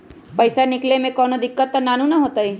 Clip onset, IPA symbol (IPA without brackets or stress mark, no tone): p